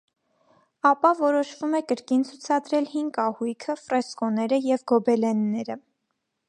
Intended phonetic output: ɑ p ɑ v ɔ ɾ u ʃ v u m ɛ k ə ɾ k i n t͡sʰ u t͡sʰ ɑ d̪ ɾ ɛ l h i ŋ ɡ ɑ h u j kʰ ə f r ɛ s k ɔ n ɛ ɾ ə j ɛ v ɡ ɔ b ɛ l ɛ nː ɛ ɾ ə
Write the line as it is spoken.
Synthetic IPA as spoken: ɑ p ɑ v ɔ ɾ ɔ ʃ v u m ɛ k ə ɾ k i n t͡sʰ u t͡sʰ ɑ d̪ ɾ ɛ l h i ŋ ɡ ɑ h u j kʰ ə f r ɛ s k ɔ n ɛ ɾ ə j ɛ v ɡ ɔ b ɛ l ɛ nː ɛ ɾ ə